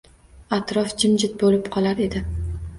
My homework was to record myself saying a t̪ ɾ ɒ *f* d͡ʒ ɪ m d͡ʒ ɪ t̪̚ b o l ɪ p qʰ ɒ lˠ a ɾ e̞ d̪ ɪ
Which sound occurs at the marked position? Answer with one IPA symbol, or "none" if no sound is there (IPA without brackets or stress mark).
f